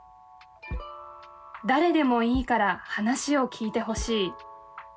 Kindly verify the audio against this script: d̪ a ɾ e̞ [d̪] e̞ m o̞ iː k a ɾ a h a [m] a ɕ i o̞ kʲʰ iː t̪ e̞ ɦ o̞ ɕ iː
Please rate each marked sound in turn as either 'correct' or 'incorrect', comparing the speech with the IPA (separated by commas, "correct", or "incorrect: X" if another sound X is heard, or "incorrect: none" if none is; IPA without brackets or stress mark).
correct, incorrect: n